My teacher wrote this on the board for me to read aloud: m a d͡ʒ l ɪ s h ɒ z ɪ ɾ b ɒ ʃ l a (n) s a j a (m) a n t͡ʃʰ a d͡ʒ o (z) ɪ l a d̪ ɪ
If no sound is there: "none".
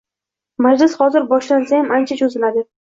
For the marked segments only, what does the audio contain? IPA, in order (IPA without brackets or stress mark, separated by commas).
n, m, z